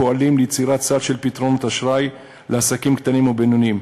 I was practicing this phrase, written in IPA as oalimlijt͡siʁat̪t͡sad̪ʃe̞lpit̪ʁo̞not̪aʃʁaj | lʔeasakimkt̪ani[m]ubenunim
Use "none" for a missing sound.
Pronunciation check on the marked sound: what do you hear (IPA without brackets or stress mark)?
m